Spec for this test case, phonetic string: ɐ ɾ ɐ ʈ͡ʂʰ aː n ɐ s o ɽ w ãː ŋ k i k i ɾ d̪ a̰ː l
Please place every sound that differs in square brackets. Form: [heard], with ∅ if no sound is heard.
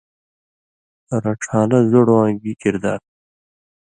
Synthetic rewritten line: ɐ ɾ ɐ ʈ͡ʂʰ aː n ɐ [z] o ɽ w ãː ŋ [ɡ] i k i ɾ d̪ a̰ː [ɾ]